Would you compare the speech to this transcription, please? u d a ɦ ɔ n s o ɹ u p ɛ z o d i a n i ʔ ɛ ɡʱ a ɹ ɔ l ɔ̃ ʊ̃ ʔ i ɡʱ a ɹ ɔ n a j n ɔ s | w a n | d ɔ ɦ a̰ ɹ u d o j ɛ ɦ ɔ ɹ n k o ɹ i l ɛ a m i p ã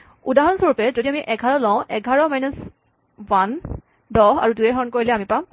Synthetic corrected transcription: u d a ɦ ɔ n s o ɹ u p ɛ z o d i a m i ʔ ɛ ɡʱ a ɹ ɔ l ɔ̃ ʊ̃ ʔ ɛ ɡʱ a ɹ ɔ m a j n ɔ s | w a n | d ɔ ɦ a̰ ɹ u d u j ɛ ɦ ɔ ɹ n k o ɹ i l ɛ a m i p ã